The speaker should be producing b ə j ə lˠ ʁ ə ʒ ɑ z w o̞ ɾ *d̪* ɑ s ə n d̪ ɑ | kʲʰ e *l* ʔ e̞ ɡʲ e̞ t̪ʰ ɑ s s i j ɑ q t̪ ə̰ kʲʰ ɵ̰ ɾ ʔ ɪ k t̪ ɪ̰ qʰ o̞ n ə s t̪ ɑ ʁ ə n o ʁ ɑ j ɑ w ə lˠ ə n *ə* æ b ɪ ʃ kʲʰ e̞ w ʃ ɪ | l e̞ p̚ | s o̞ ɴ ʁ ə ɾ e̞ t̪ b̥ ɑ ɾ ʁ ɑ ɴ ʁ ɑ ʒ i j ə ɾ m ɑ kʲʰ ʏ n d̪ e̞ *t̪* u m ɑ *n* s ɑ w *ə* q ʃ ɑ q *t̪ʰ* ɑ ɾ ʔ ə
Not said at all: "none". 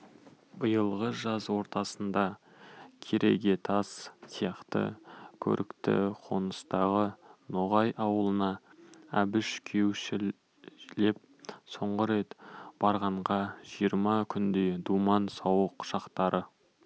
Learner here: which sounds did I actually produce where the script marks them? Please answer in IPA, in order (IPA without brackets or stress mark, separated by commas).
t̪, ɾ, ɑ, d̪, n, ə, t̪